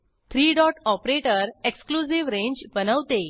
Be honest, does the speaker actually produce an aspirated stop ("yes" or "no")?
yes